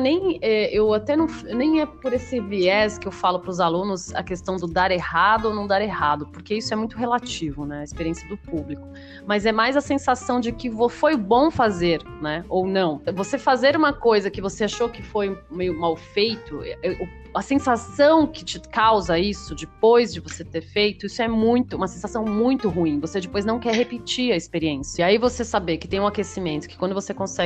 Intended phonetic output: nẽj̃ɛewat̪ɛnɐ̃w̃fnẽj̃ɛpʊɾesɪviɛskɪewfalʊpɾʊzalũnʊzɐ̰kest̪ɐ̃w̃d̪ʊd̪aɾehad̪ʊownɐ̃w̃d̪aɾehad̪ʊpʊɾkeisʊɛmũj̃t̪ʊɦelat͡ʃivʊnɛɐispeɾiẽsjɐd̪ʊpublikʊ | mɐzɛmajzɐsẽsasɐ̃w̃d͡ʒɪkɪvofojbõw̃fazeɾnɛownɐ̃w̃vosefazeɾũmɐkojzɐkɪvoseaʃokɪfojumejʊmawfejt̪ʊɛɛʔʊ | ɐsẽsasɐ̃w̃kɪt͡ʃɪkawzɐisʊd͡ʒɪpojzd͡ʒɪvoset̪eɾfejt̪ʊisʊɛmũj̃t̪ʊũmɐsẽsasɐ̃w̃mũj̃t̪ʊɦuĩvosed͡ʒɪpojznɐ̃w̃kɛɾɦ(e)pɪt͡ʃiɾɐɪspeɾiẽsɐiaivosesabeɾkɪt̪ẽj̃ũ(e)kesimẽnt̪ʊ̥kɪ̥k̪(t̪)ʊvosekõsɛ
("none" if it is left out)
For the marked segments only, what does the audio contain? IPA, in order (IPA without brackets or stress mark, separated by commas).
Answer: e, a, d̪